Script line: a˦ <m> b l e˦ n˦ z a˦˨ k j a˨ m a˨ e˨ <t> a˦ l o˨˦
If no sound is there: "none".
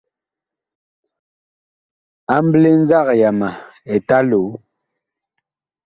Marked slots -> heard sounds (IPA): m, t

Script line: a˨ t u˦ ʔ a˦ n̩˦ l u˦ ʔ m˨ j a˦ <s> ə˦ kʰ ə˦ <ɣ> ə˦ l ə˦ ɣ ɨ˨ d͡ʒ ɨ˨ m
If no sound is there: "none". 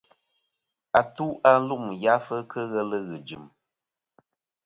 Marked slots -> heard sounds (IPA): f, ɣ

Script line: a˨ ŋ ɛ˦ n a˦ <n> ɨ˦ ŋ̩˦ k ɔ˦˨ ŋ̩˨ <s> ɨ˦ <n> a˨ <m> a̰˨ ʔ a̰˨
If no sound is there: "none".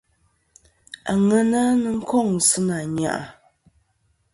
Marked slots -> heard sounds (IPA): n, s, n, ɲ

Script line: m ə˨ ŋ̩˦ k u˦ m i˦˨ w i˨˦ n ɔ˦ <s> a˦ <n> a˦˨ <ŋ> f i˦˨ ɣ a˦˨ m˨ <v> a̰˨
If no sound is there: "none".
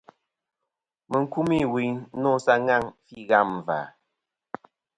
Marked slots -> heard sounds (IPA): s, ŋ, ŋ, v

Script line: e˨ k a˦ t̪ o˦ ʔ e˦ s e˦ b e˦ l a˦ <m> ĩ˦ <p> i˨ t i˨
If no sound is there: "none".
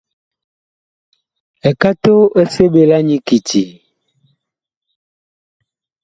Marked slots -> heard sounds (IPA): ɲ, k

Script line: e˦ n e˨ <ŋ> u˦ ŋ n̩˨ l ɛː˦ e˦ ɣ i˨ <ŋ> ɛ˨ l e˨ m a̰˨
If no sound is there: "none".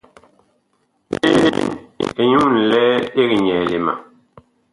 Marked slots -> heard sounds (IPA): ɲ, ɲ

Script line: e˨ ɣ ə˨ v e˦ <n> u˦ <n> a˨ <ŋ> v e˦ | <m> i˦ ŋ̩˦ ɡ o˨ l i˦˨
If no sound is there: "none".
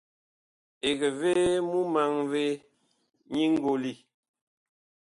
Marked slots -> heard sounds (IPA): m, m, ŋ, ɲ

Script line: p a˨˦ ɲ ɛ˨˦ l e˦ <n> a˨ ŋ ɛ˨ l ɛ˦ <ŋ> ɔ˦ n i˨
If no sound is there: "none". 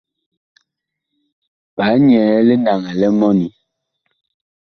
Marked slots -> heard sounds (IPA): n, m

